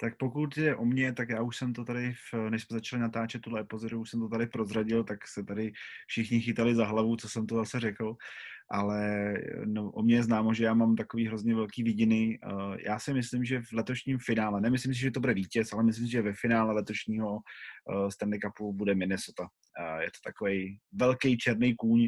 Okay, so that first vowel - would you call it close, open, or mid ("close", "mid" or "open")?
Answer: open